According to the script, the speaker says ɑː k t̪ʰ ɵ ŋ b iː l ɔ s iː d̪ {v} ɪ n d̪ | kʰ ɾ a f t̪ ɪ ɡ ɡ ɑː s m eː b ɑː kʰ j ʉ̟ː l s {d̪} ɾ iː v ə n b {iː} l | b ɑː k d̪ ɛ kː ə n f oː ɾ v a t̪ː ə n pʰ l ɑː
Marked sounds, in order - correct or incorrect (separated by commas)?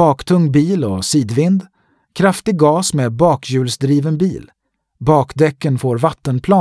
correct, correct, correct